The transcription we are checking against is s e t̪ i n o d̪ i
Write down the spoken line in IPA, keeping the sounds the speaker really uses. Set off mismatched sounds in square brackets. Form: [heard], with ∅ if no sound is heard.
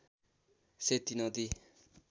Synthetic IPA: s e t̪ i n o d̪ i

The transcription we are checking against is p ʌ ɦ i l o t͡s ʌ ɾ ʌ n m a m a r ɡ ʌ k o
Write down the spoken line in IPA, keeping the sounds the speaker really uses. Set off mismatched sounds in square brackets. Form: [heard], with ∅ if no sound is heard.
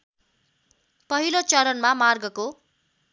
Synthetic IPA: p ʌ ɦ i l o t͡s ʌ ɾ ʌ n m a m a r ɡ ʌ k o

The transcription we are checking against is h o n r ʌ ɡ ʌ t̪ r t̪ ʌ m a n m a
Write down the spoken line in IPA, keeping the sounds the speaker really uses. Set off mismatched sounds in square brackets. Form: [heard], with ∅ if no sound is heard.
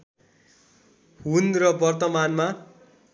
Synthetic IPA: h [u] n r ʌ [b] ʌ [∅] r t̪ ʌ m a n m a

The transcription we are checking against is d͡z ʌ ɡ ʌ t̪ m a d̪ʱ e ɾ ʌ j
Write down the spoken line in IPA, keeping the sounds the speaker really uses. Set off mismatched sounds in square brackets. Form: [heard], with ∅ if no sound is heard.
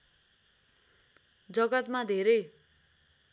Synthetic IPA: d͡z ʌ ɡ ʌ t̪ m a d̪ʱ e ɾ ʌ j

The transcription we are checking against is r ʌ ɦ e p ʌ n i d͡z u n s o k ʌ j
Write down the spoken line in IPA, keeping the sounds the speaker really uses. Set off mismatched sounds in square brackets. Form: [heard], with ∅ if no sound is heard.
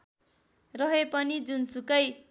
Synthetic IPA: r ʌ ɦ e p ʌ n i d͡z u n s [u] k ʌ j

